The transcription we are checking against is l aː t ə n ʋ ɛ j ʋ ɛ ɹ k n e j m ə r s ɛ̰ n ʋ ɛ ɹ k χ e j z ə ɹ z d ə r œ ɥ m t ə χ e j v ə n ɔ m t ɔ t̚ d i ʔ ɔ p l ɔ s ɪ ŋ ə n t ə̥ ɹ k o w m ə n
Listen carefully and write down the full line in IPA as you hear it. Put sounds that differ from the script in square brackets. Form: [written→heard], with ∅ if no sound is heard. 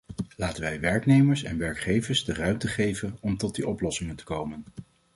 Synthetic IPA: l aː t ə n ʋ ɛ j ʋ ɛ ɹ k n e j m ə [r→ɹ] s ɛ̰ n ʋ ɛ ɹ k χ e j [z→v] ə ɹ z d ə r œ ɥ m t ə χ e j v ə n ɔ m t ɔ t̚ d i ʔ ɔ p l ɔ s ɪ ŋ ə n t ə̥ [ɹ→∅] k o w m ə n